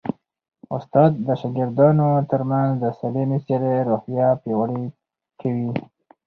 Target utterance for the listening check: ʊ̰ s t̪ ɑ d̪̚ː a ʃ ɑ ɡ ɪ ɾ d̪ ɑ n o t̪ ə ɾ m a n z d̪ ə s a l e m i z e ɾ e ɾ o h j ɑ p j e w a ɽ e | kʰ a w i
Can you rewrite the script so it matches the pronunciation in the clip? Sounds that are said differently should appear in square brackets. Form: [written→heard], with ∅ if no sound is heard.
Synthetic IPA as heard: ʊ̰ s t̪ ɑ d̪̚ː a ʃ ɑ ɡ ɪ ɾ d̪ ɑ n o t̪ ə ɾ m a n z d̪ ə s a l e m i [z→s] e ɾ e ɾ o h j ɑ p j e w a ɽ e | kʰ a w i

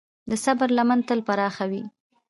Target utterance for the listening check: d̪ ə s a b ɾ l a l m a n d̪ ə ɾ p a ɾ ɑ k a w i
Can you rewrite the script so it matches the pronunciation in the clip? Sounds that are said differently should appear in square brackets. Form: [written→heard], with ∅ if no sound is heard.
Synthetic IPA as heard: d̪ ə s a b ɾ l a [l→∅] m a n [d̪→t̪] ə [ɾ→l] p a ɾ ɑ [k→x] a w i

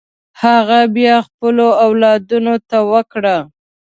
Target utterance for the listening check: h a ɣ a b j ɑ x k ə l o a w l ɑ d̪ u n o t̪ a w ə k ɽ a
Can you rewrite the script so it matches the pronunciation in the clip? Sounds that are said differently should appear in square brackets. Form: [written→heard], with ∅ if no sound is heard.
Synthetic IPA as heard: h a ɣ a b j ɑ x [k→p] ə l o a w l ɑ d̪ u n o t̪ a w ə k ɽ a

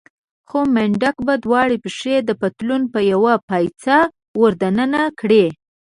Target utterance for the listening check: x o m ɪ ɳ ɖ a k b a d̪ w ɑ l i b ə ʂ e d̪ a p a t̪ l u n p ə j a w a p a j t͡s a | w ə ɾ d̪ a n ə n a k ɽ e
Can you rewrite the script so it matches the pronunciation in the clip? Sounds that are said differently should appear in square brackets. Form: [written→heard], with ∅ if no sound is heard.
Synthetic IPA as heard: x o m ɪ ɳ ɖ a k b a d̪ w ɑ [l→ɽ] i [b→p] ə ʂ e d̪ [a→ə] p a t̪ l u n p ə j a w a p a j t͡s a | w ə ɾ d̪ a n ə n a k ɽ e

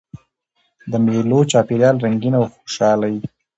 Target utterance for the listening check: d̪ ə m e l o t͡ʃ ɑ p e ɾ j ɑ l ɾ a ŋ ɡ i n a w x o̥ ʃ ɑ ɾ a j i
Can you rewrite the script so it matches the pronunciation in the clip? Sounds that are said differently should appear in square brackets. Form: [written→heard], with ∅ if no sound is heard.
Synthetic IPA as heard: d̪ ə m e l o t͡ʃ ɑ p e ɾ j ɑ l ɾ a ŋ ɡ i n a w x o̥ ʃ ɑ [ɾ→l] a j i

